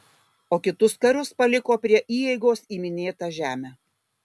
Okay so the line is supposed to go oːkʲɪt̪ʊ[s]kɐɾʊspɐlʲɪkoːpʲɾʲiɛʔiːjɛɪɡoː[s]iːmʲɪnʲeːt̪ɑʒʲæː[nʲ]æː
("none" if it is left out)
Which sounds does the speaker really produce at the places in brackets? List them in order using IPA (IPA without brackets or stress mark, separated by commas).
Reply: s, s, mʲ